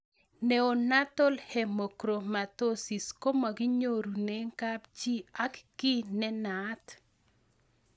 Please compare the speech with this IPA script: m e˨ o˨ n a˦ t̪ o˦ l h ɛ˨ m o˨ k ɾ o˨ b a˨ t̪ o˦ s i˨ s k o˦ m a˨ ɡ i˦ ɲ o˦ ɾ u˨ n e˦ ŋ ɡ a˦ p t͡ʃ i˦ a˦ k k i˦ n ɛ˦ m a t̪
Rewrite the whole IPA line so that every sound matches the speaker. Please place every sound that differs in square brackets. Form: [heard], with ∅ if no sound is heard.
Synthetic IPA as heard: [n] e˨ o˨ n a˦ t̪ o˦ l h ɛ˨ m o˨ k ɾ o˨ [m] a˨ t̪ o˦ s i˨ s k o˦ m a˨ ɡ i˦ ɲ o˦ ɾ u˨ n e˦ ŋ [k] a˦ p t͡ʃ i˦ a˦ k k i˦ n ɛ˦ [n] a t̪

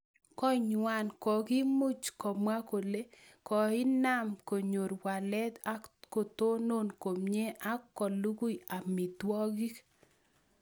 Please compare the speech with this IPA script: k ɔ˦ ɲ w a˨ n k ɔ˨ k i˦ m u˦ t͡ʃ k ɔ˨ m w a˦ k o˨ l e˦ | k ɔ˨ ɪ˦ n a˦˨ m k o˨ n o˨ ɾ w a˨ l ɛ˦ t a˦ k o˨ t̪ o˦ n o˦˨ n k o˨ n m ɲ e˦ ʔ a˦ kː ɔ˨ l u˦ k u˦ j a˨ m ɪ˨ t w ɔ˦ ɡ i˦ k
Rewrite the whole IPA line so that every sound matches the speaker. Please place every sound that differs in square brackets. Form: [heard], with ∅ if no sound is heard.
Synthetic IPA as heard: k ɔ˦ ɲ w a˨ n k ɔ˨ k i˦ m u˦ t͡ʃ k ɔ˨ m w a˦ k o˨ l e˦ | k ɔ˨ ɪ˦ n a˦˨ m k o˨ [ɲ] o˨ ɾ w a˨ l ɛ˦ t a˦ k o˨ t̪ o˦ n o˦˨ n k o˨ [∅] m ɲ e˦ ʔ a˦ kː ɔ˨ l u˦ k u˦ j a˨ m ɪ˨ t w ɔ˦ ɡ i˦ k

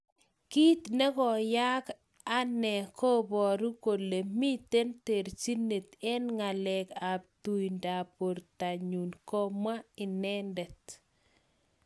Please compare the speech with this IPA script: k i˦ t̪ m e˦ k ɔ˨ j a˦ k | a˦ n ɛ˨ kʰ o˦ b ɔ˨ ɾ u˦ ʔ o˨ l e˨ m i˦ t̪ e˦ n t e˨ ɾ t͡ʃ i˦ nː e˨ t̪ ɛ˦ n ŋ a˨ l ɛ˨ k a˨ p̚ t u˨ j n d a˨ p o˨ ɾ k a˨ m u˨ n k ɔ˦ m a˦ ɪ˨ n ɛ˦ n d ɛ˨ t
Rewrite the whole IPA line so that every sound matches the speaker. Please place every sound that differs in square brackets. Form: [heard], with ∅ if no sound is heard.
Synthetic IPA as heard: k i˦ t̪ [n] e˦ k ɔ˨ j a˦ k | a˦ n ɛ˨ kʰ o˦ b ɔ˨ ɾ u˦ [k] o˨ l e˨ m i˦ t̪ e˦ n t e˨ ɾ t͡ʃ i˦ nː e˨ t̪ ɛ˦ n ŋ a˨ l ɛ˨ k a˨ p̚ t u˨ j n d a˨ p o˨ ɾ [t] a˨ [ɲ] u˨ n k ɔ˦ m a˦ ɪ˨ n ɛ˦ n d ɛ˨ t

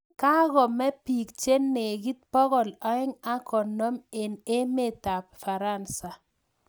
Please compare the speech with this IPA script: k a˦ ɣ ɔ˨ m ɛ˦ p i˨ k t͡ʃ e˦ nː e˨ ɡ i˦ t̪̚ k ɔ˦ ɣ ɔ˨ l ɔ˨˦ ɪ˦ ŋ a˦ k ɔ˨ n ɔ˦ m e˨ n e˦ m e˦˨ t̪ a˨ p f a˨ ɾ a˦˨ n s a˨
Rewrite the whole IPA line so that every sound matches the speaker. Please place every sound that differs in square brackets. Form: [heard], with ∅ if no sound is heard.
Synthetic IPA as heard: k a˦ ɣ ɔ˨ m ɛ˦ p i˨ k t͡ʃ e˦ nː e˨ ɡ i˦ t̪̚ [p] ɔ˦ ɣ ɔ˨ l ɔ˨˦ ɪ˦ ŋ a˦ k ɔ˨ n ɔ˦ m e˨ n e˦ m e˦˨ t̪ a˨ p f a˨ ɾ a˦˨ n s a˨

